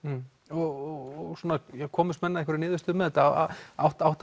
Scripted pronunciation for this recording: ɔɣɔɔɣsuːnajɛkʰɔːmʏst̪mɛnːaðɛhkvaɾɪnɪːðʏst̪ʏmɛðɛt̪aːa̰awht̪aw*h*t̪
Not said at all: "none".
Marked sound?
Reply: h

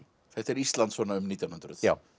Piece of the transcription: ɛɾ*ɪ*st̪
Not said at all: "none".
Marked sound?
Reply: i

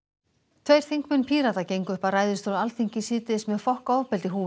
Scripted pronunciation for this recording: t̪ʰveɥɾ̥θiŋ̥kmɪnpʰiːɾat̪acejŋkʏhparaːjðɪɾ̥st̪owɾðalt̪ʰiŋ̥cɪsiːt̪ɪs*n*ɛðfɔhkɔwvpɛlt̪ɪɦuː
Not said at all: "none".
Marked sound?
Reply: m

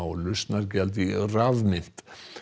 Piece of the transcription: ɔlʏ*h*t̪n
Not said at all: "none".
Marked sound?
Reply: s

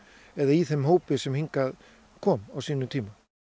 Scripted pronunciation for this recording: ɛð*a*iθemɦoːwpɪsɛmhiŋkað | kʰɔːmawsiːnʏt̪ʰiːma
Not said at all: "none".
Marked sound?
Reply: a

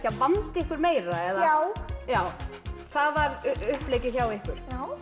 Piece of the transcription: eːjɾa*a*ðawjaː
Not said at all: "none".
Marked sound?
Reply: ɛ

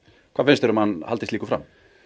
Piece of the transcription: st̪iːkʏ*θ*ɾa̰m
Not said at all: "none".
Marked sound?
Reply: f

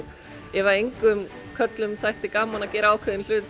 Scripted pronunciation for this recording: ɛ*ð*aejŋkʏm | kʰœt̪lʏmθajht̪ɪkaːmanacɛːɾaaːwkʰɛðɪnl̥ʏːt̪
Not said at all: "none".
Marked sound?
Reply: v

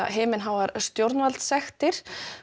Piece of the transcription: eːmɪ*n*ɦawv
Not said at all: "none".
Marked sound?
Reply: n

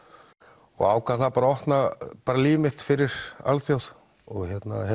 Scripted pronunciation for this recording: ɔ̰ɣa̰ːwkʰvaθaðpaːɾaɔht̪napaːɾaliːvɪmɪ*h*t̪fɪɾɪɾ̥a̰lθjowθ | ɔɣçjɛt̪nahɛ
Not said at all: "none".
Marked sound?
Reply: h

